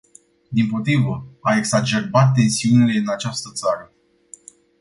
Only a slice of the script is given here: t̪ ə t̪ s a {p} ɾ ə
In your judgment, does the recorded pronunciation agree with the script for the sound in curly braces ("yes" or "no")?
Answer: no